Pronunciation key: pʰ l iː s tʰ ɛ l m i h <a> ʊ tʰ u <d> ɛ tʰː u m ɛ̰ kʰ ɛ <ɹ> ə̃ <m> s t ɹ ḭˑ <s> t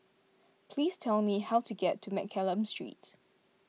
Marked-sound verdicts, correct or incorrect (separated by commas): correct, incorrect, incorrect, correct, incorrect